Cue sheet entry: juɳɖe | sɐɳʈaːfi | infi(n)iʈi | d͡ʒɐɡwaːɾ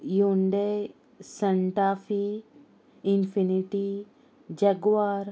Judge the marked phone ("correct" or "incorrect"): correct